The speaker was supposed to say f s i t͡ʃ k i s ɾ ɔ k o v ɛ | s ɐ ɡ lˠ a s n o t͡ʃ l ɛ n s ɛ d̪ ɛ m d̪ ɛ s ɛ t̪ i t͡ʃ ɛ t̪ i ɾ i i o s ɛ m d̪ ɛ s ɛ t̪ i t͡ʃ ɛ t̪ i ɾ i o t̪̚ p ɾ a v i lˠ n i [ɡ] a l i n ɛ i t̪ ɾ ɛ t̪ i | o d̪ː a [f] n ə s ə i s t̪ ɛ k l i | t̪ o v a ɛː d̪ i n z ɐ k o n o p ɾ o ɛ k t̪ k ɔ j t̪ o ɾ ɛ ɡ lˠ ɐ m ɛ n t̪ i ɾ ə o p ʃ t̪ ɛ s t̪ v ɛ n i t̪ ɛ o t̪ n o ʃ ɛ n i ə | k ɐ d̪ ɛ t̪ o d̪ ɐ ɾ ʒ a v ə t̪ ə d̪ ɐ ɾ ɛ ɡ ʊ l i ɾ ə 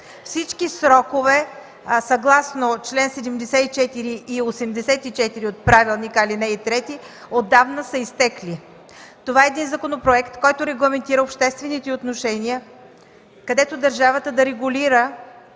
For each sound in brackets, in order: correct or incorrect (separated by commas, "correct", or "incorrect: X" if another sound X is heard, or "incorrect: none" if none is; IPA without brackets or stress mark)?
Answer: incorrect: k, incorrect: v